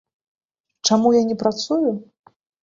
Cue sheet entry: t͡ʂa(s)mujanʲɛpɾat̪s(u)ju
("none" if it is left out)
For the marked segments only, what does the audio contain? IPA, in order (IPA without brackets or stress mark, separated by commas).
none, u